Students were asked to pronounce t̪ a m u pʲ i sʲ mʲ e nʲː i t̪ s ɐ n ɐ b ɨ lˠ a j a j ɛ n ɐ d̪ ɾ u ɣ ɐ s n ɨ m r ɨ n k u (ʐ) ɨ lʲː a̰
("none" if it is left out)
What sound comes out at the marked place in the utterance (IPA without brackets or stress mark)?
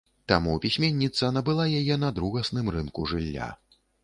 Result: ʐ